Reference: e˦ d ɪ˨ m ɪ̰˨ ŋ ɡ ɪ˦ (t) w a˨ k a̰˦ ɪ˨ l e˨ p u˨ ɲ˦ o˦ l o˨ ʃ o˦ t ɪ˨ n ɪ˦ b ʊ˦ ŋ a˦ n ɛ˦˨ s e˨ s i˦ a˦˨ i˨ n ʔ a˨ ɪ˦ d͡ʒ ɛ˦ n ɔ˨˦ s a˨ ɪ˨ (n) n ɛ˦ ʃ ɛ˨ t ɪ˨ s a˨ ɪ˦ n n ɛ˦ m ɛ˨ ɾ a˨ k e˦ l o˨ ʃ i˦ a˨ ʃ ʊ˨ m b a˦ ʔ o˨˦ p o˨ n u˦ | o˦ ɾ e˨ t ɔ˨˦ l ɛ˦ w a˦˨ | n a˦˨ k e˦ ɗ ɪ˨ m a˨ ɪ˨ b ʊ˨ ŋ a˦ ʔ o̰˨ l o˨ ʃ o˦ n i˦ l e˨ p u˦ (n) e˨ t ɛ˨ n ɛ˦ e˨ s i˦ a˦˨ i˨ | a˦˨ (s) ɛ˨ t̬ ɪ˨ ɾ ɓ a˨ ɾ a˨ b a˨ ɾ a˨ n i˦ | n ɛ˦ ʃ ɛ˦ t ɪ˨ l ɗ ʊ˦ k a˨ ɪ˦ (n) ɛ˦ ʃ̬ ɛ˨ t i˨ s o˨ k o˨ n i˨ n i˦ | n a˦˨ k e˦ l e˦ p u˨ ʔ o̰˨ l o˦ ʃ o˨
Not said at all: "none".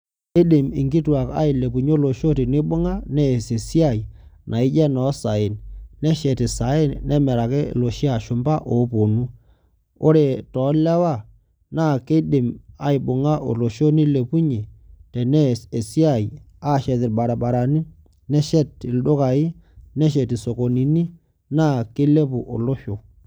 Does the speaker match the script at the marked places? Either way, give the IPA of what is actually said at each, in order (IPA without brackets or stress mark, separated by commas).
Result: t, n, ɲ, ʃ, n